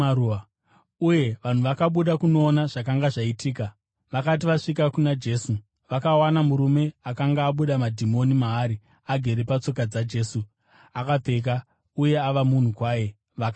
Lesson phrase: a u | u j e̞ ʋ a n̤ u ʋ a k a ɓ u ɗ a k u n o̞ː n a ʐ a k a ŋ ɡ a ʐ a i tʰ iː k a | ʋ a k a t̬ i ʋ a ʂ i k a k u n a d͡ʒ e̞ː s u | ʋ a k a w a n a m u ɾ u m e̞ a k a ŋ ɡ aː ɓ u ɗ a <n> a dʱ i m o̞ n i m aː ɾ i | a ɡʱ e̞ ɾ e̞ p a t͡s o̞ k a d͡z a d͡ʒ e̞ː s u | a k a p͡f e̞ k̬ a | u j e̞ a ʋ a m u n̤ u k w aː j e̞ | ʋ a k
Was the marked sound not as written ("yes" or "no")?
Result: yes